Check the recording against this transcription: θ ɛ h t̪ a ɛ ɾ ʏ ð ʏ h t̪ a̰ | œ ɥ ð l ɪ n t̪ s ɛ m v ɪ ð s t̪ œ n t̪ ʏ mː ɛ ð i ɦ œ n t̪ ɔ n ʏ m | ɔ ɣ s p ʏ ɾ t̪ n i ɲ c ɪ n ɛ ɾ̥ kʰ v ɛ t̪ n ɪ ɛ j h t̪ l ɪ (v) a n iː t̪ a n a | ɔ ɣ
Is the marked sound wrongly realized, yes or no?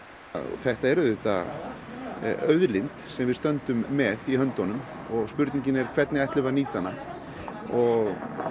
no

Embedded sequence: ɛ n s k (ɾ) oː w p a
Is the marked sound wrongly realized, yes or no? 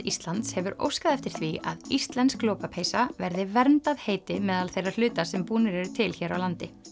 yes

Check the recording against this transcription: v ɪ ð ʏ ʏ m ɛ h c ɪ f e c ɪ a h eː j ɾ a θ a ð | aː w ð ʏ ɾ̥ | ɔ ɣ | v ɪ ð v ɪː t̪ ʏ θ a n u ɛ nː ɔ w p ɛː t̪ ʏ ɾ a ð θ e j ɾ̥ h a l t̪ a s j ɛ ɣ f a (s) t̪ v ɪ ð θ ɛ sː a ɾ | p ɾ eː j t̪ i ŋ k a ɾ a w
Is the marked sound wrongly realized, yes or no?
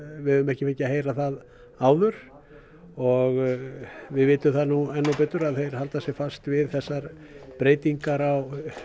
no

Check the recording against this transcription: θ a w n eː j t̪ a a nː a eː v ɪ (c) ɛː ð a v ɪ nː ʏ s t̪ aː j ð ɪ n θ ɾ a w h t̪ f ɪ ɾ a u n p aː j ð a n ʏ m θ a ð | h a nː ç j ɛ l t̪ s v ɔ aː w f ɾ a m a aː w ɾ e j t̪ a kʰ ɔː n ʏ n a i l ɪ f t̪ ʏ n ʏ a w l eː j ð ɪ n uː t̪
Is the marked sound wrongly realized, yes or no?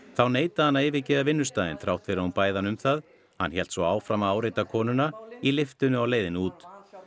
no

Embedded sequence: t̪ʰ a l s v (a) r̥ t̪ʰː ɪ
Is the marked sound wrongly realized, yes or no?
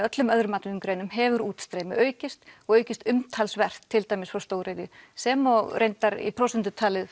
yes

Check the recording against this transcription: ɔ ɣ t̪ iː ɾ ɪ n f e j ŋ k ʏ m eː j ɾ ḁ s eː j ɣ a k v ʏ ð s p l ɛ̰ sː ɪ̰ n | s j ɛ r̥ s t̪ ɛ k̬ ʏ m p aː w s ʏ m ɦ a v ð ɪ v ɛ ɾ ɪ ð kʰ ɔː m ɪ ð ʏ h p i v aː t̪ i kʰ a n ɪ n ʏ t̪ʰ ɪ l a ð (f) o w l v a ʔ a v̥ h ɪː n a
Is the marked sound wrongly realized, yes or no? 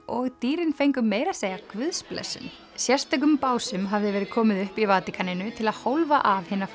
yes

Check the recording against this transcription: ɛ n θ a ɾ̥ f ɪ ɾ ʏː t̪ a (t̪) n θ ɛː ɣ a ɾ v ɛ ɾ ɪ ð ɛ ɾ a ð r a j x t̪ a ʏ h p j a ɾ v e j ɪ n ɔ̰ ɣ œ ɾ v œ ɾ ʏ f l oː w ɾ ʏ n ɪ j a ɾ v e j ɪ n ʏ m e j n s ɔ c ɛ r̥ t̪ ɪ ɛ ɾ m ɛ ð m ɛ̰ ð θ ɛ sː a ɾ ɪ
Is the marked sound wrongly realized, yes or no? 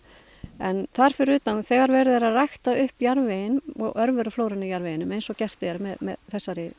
yes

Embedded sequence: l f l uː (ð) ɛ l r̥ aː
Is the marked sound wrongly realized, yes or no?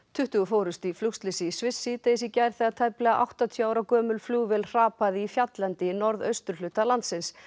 yes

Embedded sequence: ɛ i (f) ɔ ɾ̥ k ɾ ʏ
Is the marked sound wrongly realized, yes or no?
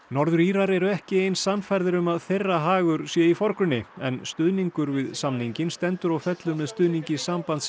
no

